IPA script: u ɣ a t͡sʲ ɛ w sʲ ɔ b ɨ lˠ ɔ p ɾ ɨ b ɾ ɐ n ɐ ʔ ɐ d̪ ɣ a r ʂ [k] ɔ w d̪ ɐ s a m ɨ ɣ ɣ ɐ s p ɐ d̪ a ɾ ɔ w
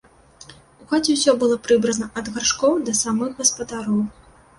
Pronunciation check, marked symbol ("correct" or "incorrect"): correct